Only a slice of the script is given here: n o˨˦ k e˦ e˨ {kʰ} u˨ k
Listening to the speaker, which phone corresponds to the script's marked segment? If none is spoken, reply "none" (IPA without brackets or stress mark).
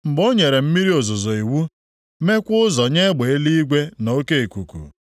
k